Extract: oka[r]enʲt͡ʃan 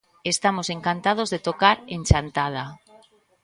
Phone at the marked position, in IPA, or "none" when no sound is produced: ɾ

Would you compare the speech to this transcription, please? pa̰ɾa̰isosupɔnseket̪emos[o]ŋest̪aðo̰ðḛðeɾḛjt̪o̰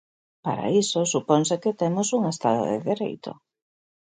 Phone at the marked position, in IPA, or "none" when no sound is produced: u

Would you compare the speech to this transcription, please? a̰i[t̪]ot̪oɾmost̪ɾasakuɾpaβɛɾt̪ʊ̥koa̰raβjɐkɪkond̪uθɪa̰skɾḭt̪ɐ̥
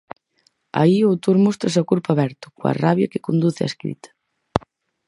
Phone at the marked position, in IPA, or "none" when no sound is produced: none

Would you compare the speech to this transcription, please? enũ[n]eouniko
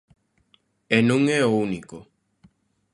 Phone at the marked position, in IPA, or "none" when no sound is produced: ŋ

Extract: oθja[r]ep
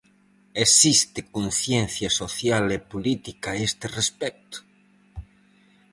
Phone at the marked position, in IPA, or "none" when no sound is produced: l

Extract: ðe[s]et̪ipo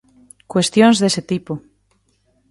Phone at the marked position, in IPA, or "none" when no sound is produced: s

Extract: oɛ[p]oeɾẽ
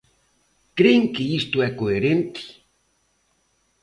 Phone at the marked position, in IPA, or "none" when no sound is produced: k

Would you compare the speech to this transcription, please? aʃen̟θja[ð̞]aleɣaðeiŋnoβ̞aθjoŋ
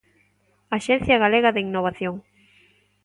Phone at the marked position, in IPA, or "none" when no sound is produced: ɣ̞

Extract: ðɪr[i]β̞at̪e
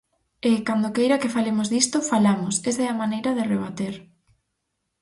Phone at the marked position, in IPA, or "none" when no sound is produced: e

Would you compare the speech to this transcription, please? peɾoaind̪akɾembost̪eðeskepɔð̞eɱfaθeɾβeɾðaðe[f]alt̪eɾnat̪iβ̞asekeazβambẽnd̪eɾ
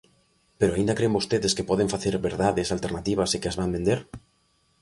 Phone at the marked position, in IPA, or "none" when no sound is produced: s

